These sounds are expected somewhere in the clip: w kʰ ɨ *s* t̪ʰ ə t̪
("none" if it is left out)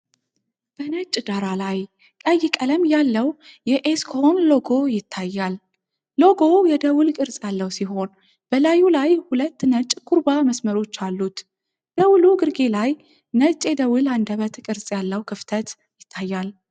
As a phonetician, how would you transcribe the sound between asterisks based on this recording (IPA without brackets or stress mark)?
f